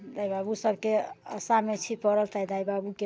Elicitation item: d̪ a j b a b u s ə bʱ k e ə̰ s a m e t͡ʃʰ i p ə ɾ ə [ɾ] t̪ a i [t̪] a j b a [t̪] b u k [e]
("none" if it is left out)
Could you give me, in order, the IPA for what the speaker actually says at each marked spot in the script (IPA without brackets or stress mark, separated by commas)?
l, d̪, none, e